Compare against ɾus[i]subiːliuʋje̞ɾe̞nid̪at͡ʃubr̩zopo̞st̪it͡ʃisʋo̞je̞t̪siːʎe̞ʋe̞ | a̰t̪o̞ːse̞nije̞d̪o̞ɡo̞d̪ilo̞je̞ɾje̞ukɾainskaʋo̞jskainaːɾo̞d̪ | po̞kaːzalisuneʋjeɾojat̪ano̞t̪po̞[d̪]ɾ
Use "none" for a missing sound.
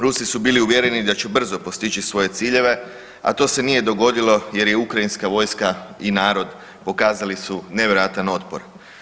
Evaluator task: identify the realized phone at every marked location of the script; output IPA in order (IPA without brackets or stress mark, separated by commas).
i, none